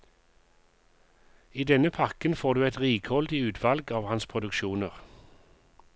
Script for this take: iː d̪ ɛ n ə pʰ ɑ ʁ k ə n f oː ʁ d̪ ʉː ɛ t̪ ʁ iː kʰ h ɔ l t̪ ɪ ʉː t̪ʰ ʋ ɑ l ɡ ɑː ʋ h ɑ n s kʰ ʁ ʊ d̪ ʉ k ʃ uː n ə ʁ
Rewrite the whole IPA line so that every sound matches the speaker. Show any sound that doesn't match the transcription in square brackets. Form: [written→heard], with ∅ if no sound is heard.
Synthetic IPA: iː d̪ ɛ n ə pʰ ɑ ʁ k ə n f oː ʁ d̪ ʉː ɛ t̪ ʁ iː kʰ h ɔ l [t̪→d̪] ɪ ʉː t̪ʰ ʋ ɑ l ɡ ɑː ʋ h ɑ n s [kʰ→pʰ] ʁ ʊ d̪ ʉ k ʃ uː n ə ʁ